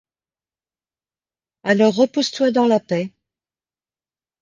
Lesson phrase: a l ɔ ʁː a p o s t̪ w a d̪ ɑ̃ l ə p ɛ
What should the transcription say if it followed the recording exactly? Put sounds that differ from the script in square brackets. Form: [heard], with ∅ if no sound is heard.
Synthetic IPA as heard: a l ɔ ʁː [ə] p [u] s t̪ w a d̪ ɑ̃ l [a] p ɛ